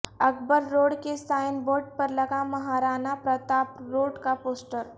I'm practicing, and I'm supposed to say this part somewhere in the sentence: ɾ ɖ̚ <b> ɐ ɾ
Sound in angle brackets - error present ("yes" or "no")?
yes